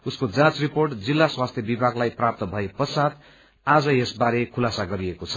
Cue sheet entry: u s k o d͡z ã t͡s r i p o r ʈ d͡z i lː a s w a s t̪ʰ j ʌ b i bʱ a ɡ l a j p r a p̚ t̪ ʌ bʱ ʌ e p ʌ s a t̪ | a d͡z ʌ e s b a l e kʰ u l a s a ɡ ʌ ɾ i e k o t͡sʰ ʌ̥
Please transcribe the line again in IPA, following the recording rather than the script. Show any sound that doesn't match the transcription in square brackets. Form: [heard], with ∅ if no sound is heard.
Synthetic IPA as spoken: u s k o d͡z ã t͡s r i p o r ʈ d͡z i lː a s w a s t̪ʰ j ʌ b i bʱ a ɡ l a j p r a p̚ t̪ ʌ bʱ ʌ e p ʌ s a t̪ | a d͡z ʌ e s b a [ɾ] e kʰ u l a s a ɡ ʌ ɾ i e k o t͡sʰ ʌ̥